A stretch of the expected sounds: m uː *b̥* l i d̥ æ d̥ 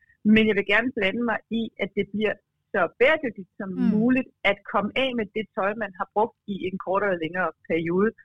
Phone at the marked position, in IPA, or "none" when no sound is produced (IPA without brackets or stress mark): none